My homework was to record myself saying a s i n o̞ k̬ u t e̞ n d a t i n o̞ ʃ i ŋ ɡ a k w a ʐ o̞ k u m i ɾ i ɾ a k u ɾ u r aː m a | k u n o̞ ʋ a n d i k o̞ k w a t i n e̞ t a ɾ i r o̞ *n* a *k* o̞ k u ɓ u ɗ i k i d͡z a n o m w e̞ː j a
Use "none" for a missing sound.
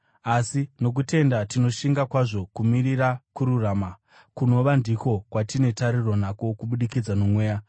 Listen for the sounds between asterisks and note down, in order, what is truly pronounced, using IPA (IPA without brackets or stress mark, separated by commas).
n, k